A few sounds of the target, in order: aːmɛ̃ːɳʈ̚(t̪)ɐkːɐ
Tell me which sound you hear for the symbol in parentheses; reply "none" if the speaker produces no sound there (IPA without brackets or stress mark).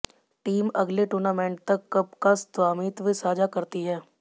t̪